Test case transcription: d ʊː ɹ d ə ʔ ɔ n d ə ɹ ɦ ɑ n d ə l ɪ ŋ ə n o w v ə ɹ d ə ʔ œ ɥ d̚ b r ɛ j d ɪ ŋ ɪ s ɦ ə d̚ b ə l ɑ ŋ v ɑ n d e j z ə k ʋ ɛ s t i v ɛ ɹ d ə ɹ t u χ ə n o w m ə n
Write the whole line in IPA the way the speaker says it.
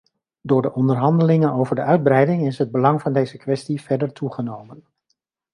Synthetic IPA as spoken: d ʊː ɹ d ə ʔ ɔ n d ə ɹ ɦ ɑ n d ə l ɪ ŋ ə n o w v ə ɹ d ə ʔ œ ɥ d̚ b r ɛ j d ɪ ŋ ɪ s ɦ ə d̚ b ə l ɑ ŋ v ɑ n d e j z ə k ʋ ɛ s t i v ɛ ɹ d ə ɹ t u χ ə n o w m ə n